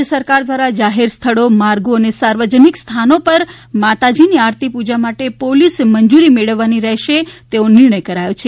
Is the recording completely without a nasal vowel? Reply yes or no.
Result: yes